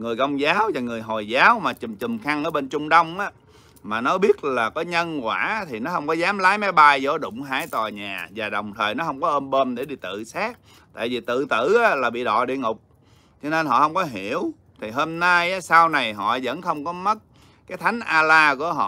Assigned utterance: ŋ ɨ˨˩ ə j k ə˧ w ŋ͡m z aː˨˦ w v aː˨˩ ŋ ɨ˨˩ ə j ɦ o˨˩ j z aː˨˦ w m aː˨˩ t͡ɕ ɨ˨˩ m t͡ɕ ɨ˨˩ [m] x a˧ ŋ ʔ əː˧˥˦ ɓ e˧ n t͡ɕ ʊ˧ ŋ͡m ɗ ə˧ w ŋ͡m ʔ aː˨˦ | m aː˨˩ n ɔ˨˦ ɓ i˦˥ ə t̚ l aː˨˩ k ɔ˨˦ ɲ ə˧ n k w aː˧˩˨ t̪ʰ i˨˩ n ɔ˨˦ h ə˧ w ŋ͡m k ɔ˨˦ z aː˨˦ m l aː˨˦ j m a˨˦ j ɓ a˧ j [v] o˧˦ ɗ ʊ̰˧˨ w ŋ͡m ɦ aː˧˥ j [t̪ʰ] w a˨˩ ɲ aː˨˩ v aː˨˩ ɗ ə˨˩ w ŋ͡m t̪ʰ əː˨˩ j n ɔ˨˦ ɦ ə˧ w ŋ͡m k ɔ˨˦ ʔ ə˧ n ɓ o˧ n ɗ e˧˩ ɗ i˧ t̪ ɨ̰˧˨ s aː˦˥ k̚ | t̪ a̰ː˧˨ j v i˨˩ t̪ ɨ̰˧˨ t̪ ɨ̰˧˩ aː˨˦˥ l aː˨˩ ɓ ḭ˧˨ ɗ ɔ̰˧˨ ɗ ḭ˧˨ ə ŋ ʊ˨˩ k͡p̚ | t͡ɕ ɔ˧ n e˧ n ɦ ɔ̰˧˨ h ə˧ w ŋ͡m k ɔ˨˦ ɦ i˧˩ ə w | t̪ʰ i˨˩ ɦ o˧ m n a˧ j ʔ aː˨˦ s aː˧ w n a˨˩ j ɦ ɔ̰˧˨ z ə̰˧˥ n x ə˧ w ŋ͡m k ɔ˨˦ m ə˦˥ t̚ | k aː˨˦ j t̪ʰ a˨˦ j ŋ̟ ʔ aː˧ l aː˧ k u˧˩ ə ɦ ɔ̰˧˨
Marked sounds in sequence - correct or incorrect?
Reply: correct, incorrect: z, incorrect: t̪

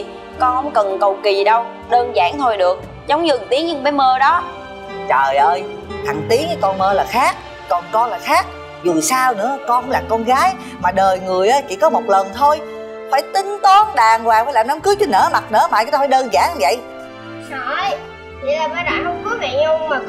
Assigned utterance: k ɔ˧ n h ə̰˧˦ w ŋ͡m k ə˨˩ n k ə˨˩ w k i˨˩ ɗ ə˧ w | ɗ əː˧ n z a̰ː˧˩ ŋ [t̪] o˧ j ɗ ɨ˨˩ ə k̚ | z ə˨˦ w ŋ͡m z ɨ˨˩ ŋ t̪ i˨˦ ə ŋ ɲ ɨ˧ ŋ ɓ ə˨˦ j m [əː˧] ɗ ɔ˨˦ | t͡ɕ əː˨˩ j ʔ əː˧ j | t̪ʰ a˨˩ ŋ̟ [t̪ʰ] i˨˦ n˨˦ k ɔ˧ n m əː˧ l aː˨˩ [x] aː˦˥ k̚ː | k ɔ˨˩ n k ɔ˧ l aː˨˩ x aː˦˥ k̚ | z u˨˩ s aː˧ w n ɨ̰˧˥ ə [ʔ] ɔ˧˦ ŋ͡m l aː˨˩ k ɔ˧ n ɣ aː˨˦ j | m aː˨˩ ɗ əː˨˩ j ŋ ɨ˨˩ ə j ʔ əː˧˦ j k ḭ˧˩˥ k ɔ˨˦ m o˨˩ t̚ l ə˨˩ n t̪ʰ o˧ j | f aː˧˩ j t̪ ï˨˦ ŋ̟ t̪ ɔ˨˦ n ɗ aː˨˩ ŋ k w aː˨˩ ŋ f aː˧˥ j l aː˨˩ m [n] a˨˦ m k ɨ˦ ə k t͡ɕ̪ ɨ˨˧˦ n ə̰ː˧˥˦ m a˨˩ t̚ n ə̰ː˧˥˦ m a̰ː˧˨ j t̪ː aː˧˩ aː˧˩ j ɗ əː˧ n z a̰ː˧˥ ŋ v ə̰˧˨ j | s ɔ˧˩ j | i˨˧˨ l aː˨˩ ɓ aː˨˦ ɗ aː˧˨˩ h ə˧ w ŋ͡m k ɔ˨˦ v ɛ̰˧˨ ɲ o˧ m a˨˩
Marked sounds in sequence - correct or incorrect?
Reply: incorrect: t̪ʰ, correct, incorrect: t̪, correct, incorrect: k, correct

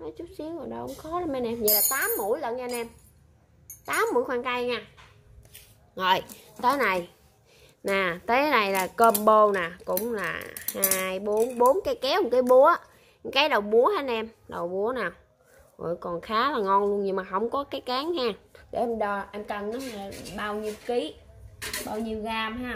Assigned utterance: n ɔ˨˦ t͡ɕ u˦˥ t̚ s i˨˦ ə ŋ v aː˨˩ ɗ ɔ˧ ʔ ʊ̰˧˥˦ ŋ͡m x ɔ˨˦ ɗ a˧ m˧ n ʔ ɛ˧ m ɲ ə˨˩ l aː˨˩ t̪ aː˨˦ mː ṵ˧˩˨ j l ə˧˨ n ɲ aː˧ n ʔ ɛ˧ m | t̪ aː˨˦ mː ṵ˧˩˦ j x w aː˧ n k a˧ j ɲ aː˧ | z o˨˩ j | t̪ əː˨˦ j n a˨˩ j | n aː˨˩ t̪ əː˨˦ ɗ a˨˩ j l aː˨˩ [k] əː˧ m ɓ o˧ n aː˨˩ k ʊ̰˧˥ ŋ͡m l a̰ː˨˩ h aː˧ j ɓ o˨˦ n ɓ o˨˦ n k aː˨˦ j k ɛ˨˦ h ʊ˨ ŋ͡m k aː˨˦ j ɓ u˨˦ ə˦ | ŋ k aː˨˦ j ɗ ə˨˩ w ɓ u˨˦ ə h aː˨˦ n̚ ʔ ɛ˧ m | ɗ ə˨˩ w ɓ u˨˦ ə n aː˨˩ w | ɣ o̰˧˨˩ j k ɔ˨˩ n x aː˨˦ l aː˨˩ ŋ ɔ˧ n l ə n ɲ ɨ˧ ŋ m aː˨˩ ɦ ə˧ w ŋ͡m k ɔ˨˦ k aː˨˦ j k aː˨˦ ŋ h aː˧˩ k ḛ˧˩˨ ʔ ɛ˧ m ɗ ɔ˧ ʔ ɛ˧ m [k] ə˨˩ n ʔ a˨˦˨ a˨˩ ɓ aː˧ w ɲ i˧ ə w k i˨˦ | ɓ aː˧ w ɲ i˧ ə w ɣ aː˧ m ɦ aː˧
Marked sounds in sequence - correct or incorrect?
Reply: correct, correct

